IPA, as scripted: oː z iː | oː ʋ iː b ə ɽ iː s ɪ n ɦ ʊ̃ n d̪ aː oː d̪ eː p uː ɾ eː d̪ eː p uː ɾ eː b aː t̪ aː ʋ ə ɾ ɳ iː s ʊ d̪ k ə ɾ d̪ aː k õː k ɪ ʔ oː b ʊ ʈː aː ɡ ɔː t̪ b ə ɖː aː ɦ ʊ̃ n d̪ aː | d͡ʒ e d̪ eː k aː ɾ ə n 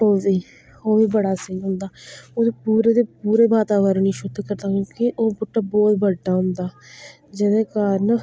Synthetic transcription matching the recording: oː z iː | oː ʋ iː b ə ɽ aː s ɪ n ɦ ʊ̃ n d̪ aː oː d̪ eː p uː ɾ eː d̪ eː p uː ɾ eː b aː t̪ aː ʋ ə ɾ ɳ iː ʃ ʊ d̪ k ə ɾ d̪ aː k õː k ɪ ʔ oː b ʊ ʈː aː b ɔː t̪ b ə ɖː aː ɦ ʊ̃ n d̪ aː | d͡ʒ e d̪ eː k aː ɾ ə n